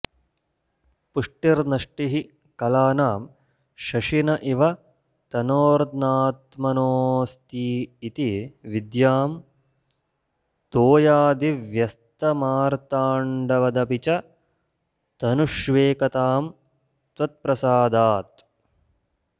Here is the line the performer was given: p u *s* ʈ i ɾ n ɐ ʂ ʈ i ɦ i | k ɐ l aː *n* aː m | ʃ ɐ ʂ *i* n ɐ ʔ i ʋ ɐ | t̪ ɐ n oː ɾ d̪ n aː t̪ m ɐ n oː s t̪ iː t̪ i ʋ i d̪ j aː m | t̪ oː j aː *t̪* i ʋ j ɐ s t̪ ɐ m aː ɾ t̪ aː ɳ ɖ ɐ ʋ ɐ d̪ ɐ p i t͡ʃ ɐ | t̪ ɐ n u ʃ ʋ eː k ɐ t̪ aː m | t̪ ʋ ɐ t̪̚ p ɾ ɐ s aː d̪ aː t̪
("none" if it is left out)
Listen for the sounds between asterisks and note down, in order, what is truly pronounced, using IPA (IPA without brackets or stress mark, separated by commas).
ʂ, n, i, d̪